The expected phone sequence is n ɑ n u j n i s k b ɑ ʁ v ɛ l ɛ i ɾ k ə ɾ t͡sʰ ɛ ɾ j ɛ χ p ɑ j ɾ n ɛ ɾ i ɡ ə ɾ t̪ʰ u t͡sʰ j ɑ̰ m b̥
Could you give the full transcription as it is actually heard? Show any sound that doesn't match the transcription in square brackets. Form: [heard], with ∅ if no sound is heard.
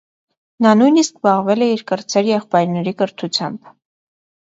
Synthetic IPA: n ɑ n u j n i s k b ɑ ʁ v ɛ l ɛ i ɾ k ə ɾ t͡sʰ ɛ ɾ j ɛ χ p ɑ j ɾ n ɛ ɾ i [k] ə ɾ t̪ʰ u t͡sʰ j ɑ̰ m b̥